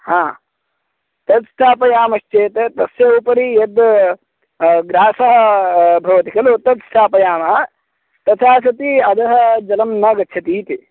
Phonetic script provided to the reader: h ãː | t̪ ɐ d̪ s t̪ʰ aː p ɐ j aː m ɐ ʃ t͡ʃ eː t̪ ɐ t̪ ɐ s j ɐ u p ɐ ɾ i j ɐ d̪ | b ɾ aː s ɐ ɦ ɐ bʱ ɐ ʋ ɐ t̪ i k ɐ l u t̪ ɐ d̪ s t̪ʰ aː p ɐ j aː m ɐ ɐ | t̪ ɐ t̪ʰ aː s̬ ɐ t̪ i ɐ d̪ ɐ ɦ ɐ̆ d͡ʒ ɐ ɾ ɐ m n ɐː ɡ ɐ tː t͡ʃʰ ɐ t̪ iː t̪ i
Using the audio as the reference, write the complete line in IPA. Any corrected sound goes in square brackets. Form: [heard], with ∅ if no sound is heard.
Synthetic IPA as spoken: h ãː | t̪ ɐ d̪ s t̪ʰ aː p ɐ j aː m ɐ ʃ t͡ʃ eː t̪ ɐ t̪ ɐ s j ɐ u p ɐ ɾ i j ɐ d̪ | [ɡ] ɾ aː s ɐ ɦ ɐ bʱ ɐ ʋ ɐ t̪ i k ɐ l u t̪ ɐ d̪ s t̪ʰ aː p ɐ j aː m ɐ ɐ | t̪ ɐ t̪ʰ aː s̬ ɐ t̪ i ɐ d̪ ɐ ɦ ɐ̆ d͡ʒ ɐ [l] ɐ m n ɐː ɡ ɐ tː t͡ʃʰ ɐ t̪ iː t̪ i